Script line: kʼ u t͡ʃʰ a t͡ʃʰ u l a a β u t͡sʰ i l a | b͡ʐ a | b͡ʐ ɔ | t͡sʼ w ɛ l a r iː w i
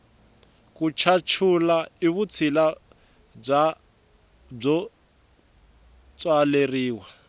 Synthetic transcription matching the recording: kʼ u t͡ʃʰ a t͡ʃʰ u l a i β u t͡sʰ i l a | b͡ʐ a | b͡ʐ ɔ | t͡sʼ w a l e r iː w a

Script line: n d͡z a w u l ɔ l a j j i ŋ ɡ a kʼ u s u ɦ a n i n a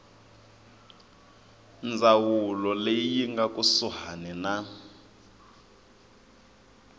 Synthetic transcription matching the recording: n d͡z a w u l ɔ l e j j i ŋ ɡ a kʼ u s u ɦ a n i n a

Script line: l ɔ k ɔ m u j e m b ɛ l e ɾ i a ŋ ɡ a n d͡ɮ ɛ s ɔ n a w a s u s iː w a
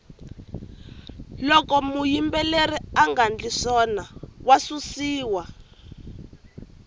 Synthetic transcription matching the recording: l ɔ k ɔ m u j i m b ɛ l e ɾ i a ŋ ɡ a n d͡ɮ i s ɔ n a w a s u s iː w a

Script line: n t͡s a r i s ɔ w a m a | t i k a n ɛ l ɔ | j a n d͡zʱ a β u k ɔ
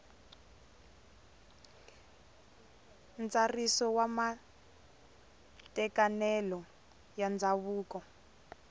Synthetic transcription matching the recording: n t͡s a r i s ɔ w a m a | t ɛ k a n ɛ l ɔ | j a n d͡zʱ a β uː k ɔ

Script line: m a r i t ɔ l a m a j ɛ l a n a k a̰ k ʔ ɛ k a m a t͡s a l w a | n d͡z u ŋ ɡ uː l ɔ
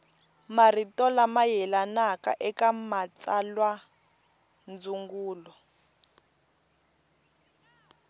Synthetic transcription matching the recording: m a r i t ɔ l a m a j ɛ l a n a k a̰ ʔ ɛ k a m a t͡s a l w a | n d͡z u ŋ ɡ uː l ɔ

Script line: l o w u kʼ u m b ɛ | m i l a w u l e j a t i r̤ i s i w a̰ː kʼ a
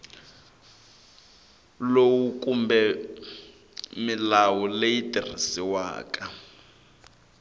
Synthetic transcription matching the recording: l o w u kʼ u m b ɛ | m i l a w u l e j i t i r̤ i s i w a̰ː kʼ a

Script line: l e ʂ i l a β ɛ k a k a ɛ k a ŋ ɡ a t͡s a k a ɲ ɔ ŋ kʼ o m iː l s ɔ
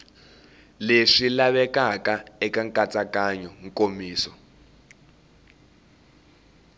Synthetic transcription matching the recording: l e ʂ i l a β ɛ k a k a ɛ k a ŋ k a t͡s a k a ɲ ɔ ŋ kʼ o m iː s ɔ

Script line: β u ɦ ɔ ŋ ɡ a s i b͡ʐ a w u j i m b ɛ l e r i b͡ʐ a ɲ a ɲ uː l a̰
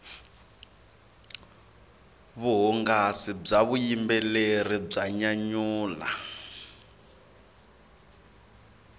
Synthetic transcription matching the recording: β u ɦ ɔ ŋ ɡ a s i b͡ʐ a β u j i m b ɛ l e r i b͡ʐ a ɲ a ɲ uː l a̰

